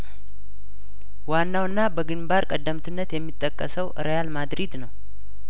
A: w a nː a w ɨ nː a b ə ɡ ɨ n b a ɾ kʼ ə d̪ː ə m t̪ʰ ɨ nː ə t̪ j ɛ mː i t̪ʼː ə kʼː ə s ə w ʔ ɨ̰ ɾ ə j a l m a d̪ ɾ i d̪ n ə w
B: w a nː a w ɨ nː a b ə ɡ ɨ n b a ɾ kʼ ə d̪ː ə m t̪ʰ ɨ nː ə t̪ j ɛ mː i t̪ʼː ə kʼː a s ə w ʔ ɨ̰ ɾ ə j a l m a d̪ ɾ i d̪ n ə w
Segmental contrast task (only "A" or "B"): A